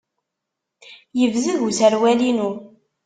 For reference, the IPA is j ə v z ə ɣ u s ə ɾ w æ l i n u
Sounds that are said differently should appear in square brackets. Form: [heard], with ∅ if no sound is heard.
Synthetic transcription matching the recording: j ə v z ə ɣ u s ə ɾ w æ l i n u